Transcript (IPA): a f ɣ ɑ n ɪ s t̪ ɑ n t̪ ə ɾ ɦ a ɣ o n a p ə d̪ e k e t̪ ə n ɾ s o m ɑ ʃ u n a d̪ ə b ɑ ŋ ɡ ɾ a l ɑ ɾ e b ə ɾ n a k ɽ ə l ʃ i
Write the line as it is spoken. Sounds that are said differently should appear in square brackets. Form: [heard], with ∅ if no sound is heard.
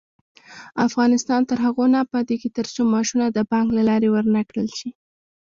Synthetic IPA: a f ɣ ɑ n ɪ s t̪ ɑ n t̪ ə ɾ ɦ a ɣ o n a p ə d̪ e k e t̪ ə [∅] ɾ s o m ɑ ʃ u n a d̪ ə b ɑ ŋ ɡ [l] a l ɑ ɾ e [w] ə ɾ n a k ɽ ə l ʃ i